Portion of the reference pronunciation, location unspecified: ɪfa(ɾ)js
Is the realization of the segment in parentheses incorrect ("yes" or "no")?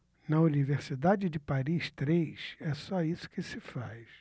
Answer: yes